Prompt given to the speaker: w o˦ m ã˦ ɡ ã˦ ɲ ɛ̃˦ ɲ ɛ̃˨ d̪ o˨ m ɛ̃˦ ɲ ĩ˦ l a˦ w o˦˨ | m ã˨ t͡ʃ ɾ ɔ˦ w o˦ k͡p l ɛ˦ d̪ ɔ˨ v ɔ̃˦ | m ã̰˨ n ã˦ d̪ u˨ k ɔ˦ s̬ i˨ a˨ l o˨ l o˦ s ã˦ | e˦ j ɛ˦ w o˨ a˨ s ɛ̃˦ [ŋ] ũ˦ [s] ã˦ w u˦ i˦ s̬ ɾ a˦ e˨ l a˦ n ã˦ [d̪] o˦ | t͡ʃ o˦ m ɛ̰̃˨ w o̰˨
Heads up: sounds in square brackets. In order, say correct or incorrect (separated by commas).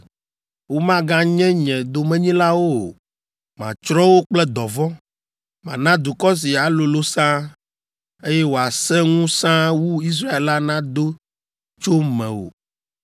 correct, correct, correct